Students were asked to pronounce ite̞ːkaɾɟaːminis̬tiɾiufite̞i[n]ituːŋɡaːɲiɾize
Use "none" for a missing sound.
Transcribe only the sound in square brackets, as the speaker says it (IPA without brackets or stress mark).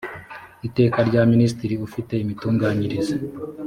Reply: m